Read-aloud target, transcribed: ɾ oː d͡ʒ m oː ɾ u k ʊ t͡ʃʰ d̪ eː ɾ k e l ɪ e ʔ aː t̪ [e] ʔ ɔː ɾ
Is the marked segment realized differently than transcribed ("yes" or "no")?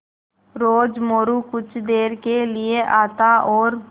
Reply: yes